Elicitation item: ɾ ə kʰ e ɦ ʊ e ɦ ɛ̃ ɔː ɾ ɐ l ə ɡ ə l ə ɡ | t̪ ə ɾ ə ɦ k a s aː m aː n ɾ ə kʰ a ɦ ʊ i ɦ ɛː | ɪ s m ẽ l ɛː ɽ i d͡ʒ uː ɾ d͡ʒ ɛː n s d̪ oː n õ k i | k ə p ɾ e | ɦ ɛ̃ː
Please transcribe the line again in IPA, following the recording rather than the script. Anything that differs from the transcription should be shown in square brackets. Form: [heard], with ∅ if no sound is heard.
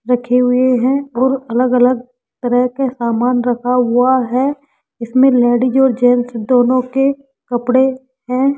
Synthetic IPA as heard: ɾ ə kʰ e ɦ ʊ e ɦ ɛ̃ ɔː ɾ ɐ l ə ɡ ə l ə ɡ | t̪ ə ɾ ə ɦ k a s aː m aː n ɾ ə kʰ a ɦ ʊ [a] ɦ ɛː | ɪ s m ẽ l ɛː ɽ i d͡ʒ [ɔː] ɾ d͡ʒ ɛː n s d̪ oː n õ k [e] | k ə p [ɽ] e | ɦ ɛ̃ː